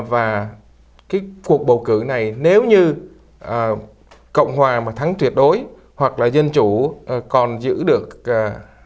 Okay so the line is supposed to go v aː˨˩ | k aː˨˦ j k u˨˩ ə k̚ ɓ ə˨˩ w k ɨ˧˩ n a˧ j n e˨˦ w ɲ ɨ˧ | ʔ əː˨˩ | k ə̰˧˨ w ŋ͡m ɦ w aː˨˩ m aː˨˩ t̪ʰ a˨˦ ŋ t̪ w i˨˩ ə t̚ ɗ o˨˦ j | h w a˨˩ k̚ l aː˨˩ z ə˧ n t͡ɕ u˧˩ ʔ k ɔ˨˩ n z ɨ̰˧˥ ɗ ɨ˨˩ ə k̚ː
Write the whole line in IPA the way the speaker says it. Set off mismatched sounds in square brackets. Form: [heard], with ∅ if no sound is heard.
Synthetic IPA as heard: v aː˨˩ | k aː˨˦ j k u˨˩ ə k̚ ɓ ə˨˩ w k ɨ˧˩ n [a˨˩] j n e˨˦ w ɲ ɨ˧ | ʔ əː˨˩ | k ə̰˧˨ w ŋ͡m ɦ w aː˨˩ m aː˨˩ t̪ʰ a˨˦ ŋ t̪ w i˨˩ ə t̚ ɗ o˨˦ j | h w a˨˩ k̚ l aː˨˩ z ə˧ n t͡ɕ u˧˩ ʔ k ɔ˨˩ n z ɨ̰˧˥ ɗ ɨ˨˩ ə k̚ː